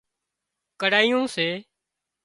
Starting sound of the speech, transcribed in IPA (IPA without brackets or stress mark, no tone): k